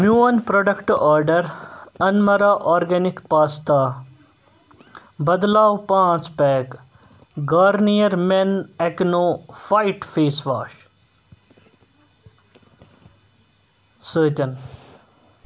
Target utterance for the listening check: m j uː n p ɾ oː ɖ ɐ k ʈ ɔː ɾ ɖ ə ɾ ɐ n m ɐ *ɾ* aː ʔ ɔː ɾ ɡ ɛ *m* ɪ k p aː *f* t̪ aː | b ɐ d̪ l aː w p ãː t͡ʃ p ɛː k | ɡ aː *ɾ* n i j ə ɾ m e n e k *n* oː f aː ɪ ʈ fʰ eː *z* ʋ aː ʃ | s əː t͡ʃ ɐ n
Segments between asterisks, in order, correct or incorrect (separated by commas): correct, incorrect, incorrect, correct, correct, incorrect